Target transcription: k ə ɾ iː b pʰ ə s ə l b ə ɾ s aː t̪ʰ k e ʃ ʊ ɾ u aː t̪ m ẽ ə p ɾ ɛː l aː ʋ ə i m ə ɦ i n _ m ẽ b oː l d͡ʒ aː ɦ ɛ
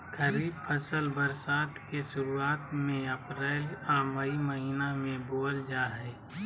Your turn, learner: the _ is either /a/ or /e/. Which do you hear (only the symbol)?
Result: a